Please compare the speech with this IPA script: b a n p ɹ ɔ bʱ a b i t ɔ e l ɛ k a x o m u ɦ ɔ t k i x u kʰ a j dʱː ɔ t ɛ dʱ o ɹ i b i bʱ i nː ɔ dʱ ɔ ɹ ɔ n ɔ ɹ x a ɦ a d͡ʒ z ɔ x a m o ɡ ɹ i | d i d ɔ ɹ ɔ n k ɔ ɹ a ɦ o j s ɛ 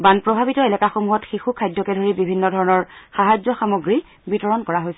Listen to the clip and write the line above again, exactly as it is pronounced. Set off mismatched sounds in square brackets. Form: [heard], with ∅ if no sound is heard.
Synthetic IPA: b a n p ɹ ɔ bʱ a b i t ɔ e l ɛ k a x o m u ɦ ɔ t [x] i x u kʰ a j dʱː ɔ [k] ɛ dʱ o ɹ i b i bʱ i nː ɔ dʱ ɔ ɹ ɔ n ɔ ɹ x a ɦ a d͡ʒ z ɔ x a m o ɡ ɹ i | [b] i [t] ɔ ɹ ɔ n k ɔ ɹ a ɦ o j s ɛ